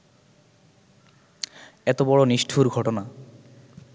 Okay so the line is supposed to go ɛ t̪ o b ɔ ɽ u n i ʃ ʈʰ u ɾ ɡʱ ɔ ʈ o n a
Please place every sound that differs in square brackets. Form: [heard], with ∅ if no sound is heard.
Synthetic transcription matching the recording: ɛ t̪ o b ɔ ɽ [o] n i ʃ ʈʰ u ɾ ɡʱ ɔ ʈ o n a